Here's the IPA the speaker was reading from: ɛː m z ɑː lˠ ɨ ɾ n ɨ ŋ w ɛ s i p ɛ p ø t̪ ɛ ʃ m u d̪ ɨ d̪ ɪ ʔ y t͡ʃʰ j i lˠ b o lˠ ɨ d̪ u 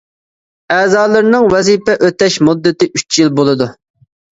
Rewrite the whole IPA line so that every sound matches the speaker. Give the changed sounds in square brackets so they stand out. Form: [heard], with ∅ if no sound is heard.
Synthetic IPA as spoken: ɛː [∅] z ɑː lˠ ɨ ɾ n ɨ ŋ w ɛ [z] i p ɛ [ʔ] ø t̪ ɛ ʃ m u [d̪ː] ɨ [t̪] ɪ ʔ y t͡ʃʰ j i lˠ b o lˠ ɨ d̪ u